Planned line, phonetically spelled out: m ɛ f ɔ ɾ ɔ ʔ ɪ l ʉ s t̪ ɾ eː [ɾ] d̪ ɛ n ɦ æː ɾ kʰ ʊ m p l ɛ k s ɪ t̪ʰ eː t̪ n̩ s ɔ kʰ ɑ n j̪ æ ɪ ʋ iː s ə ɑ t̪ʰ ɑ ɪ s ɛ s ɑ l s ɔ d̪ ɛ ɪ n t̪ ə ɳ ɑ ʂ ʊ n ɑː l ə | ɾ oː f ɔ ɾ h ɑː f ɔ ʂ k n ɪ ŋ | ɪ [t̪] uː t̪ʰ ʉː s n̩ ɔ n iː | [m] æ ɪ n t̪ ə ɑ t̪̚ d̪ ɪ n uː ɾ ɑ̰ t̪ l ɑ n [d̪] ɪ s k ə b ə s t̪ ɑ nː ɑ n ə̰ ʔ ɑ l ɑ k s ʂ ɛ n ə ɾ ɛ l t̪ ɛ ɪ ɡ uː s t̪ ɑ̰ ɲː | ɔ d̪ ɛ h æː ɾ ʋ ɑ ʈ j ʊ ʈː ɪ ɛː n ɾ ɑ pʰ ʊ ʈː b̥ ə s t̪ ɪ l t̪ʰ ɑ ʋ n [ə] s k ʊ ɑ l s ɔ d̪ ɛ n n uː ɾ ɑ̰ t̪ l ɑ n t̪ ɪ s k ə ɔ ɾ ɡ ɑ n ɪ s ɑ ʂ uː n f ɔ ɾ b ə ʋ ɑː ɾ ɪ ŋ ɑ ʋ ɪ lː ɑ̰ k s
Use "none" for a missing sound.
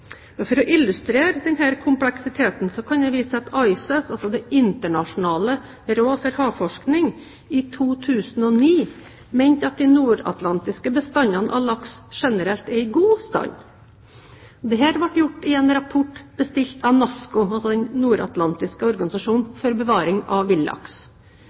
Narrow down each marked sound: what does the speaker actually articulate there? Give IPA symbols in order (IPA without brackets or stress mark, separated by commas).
ɾ, t̪ʰ, m, t̪, ɑ